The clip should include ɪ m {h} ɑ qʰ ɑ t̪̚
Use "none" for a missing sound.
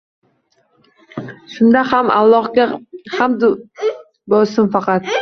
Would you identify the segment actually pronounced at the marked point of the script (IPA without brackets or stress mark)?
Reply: f